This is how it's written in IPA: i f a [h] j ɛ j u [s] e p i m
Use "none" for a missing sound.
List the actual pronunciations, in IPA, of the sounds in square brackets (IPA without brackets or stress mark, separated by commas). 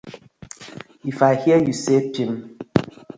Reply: h, s